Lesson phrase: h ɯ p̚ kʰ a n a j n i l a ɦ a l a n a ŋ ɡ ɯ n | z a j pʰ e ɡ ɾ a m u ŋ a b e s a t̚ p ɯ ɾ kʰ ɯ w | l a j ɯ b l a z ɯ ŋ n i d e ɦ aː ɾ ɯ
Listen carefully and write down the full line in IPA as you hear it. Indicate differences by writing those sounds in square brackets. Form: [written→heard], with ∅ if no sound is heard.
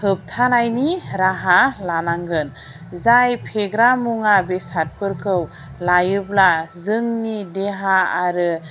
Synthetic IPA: h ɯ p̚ [kʰ→tʰ] a n a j n i [l→ɾ] a ɦ a l a n a ŋ ɡ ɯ n | z a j pʰ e ɡ ɾ a m u ŋ a b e s a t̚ p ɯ ɾ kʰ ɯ w | l a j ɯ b l a z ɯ ŋ n i d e ɦ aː ɾ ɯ